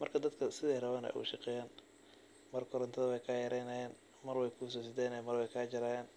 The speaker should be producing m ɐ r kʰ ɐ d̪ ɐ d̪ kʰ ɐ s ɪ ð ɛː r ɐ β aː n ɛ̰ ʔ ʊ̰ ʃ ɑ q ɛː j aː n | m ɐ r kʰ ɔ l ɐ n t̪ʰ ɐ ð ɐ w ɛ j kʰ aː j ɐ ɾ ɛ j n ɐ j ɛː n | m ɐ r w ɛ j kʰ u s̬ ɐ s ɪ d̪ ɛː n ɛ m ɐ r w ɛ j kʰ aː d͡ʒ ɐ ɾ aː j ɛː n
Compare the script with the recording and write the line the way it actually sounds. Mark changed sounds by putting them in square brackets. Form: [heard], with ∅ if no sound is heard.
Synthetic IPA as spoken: m ɐ r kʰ ɐ d̪ ɐ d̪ kʰ ɐ s ɪ ð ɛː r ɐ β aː n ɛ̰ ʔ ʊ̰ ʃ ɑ q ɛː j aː n | m ɐ r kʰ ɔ [ɾ] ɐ n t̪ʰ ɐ ð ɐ w ɛ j kʰ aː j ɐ ɾ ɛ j n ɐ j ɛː n | m ɐ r w ɛ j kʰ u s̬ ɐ s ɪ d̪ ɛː n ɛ m ɐ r w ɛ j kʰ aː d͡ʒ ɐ ɾ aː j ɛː n